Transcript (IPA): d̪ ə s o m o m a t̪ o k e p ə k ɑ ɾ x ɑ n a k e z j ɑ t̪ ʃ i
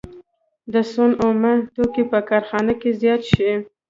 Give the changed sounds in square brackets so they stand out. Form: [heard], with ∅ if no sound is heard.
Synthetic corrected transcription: d̪ ə s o [n] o m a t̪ o k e p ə k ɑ ɾ x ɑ n a k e z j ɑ t̪ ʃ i